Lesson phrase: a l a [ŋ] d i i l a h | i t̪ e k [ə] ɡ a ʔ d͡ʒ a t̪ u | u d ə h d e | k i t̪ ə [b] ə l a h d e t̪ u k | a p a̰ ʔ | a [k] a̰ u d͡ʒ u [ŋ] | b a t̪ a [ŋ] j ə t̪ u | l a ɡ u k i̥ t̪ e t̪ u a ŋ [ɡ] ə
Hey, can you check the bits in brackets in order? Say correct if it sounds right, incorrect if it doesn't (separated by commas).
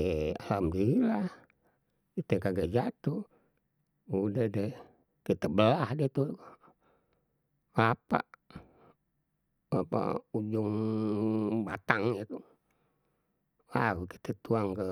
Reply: incorrect, incorrect, correct, incorrect, correct, correct, incorrect